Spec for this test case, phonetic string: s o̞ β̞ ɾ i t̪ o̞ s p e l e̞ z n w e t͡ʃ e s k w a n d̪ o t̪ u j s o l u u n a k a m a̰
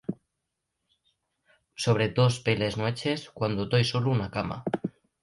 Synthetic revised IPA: s o̞ β̞ ɾ e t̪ o̞ s p e l e̞ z n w e t͡ʃ e s k w a n d̪ o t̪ o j s o l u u n a k a m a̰